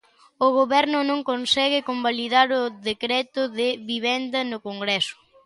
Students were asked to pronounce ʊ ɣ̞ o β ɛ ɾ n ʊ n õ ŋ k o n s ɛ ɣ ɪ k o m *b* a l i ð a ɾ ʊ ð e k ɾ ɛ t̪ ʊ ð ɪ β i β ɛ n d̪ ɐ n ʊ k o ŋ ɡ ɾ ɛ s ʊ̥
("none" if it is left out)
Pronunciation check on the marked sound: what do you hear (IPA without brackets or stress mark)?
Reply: b